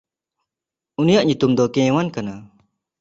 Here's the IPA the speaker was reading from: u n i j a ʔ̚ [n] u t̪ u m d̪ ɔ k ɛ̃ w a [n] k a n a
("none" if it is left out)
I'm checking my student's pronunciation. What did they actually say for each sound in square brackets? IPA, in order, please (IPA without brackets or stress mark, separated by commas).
ɲ, n